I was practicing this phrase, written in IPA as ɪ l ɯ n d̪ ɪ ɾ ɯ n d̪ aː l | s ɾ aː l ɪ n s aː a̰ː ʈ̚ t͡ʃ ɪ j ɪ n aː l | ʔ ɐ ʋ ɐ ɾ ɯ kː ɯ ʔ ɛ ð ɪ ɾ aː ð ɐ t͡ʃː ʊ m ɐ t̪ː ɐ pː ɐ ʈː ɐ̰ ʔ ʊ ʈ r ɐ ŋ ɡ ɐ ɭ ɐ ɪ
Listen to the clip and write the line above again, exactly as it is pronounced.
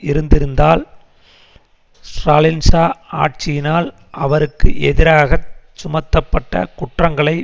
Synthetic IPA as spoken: ɪ ɾ ɯ n d̪ ɪ ɾ ɯ n d̪ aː l | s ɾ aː l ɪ n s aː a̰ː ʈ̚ t͡ʃ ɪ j ɪ n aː l | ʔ ɐ ʋ ɐ ɾ ɯ kː ɯ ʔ ɛ ð ɪ ɾ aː ɣ ɐ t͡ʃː ʊ m ɐ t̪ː ɐ pː ɐ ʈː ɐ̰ k ʊ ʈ r ɐ ŋ ɡ ɐ ɭ ɐ ɪ